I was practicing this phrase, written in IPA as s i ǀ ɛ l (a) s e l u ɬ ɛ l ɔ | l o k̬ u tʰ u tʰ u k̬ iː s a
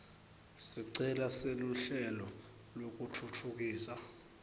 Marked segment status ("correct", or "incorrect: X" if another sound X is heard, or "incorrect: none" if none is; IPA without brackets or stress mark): correct